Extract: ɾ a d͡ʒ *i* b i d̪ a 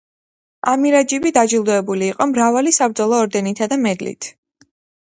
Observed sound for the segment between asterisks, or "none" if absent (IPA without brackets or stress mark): i